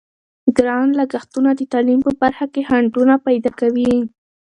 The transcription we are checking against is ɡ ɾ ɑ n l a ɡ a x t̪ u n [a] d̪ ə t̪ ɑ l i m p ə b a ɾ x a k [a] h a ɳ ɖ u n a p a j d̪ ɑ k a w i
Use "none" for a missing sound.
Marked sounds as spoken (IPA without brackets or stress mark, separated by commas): a, e